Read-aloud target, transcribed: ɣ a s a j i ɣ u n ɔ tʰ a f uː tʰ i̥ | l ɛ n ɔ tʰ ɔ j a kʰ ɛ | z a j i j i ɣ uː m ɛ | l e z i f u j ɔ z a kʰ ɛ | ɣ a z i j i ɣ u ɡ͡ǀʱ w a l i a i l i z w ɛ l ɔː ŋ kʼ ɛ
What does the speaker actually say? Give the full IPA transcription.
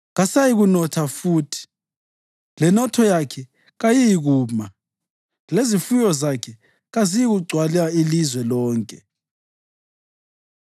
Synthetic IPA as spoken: ɣ a s a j i ɣ u n ɔ tʰ a f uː tʰ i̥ | l ɛ n ɔ tʰ ɔ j a kʰ ɛ | ɣ a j i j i ɣ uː m a | l e z i f u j ɔ z a kʰ ɛ | ɣ a z i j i ɣ u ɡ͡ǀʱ w a l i a i l i z w ɛ l ɔː ŋ kʼ ɛ